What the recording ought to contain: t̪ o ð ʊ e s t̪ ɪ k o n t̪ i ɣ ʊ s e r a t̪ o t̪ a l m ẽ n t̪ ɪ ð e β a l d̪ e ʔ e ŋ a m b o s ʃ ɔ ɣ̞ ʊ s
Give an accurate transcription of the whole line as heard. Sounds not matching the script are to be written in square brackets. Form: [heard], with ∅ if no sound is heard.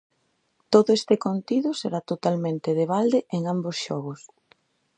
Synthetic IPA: t̪ o ð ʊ e s t̪ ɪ k o n t̪ i [ð] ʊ s e [ɾ] a t̪ o t̪ a l m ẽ n t̪ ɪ ð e β a l d̪ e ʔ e ŋ a m b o s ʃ ɔ ɣ̞ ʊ s